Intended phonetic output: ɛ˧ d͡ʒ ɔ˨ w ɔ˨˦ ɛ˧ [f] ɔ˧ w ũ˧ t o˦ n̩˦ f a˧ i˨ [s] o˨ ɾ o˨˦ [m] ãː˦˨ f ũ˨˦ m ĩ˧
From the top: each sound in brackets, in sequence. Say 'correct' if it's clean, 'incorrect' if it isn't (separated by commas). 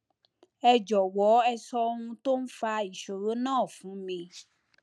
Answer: incorrect, incorrect, incorrect